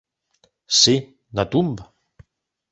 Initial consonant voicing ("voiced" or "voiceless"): voiceless